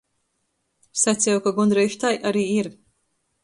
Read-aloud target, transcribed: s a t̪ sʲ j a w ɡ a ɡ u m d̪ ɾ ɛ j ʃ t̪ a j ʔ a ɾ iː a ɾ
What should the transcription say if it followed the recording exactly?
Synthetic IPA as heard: s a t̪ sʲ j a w k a ɡ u n d̪ ɾ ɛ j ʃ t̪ a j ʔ a ɾ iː i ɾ